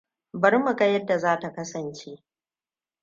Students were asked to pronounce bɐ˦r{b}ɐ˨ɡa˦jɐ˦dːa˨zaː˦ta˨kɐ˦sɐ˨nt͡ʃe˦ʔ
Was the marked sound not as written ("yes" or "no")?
yes